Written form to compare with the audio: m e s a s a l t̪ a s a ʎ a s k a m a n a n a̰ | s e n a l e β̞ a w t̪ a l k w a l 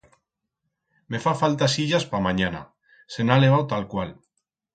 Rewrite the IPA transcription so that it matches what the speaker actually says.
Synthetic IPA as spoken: m e f a f a l t̪ a s i ʎ a s p a m a ɲ a n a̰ | s e n a l e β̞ a w t̪ a l k w a l